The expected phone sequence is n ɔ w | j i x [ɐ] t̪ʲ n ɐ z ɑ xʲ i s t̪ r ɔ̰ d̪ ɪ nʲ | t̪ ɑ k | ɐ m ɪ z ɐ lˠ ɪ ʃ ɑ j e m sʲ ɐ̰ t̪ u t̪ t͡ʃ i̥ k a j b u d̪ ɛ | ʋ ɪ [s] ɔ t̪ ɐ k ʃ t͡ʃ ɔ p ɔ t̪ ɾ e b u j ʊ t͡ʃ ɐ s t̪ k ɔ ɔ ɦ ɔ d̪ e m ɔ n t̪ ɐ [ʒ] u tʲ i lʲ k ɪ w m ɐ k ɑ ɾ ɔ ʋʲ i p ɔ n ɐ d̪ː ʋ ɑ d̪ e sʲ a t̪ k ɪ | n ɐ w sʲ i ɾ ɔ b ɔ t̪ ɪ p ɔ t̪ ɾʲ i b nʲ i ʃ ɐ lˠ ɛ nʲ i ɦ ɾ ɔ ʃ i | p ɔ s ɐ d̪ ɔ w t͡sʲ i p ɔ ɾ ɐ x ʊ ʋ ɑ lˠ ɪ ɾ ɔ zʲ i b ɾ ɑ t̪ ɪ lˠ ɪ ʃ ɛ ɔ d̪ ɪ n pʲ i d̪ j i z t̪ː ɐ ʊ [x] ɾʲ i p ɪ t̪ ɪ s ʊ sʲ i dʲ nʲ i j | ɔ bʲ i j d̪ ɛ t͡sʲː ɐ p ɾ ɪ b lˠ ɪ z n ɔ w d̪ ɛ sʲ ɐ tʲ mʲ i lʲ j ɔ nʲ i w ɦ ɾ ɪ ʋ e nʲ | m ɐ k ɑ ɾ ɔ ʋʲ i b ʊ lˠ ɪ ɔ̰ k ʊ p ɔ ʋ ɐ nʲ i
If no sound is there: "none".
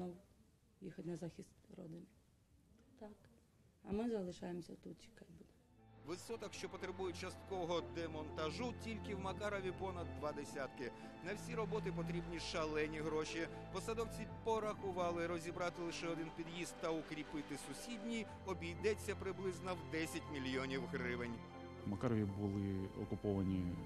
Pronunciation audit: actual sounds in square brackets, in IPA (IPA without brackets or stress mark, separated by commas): ɐ, s, ʒ, k